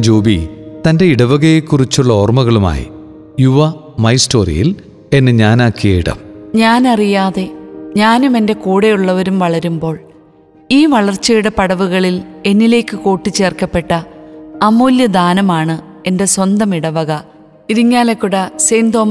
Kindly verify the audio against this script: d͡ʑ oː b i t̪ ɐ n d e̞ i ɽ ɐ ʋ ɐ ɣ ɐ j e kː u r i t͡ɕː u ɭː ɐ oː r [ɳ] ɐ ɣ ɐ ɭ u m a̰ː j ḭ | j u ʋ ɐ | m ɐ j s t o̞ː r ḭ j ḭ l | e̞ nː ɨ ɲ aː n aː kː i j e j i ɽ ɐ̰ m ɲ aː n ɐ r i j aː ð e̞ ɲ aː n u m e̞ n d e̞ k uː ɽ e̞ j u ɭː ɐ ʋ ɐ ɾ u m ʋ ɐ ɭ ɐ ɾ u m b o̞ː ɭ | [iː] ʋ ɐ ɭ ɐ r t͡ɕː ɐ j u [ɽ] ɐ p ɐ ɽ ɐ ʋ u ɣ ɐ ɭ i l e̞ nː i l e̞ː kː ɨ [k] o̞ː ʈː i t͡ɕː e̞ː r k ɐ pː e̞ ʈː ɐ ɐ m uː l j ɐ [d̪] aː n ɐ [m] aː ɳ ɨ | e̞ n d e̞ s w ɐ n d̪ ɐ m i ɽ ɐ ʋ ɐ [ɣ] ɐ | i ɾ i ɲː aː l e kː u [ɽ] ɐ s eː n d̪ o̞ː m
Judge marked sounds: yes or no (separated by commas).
no, yes, yes, yes, yes, yes, yes, yes